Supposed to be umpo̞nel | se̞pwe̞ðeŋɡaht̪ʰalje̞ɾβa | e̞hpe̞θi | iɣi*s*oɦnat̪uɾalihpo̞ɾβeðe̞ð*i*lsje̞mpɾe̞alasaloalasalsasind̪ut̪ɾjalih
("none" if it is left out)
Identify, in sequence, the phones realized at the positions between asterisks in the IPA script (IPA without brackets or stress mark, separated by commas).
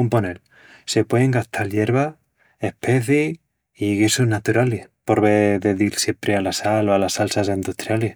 s, i